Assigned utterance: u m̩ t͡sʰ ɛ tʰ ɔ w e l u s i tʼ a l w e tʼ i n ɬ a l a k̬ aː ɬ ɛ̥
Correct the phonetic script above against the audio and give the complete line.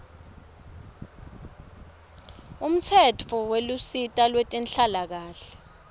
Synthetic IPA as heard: u m̩ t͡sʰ ɛ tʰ ɔ w e l u s i tʼ a l w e tʼ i n ɬ a l a k̬ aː ɬ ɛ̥